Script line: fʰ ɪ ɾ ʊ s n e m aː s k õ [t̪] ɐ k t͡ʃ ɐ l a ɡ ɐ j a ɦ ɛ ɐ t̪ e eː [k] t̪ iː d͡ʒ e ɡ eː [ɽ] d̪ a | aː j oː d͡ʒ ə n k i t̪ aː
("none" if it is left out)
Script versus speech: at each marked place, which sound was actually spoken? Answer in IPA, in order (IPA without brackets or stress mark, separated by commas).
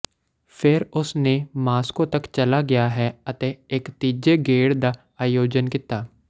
t̪, k, ɽ